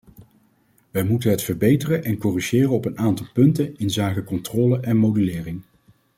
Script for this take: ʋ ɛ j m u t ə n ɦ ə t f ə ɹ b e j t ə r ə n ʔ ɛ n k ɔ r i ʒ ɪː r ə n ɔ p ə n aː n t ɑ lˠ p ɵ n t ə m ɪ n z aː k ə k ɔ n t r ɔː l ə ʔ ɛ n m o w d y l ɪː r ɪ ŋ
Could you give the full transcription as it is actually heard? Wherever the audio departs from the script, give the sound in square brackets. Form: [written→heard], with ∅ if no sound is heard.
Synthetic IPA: ʋ ɛ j m u t ə n ɦ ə t f ə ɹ b e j t ə r ə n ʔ ɛ n k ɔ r i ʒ ɪː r ə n ɔ p ə n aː n t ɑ lˠ p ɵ n t ə [m→n] ɪ n z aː k ə k ɔ n t r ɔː l ə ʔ ɛ n m o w d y l ɪː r ɪ ŋ